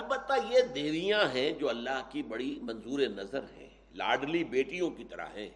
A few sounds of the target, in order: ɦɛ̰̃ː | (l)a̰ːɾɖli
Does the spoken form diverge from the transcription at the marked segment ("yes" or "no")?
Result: no